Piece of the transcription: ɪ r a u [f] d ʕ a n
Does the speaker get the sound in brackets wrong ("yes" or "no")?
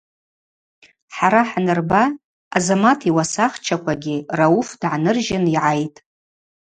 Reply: no